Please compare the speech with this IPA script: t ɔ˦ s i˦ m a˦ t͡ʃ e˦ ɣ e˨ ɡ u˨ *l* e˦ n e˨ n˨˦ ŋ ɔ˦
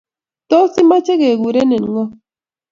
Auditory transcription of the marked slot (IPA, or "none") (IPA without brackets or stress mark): ɾ